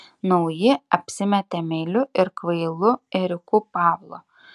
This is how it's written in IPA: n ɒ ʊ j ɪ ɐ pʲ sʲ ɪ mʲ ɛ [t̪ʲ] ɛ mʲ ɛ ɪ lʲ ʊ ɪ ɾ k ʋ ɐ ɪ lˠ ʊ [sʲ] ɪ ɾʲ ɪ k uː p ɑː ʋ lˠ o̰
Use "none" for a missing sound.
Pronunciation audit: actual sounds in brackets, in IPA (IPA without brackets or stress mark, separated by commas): t̪ʲ, none